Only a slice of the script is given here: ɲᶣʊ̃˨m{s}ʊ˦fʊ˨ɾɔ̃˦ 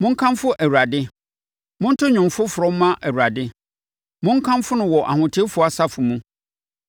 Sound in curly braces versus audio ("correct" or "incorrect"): incorrect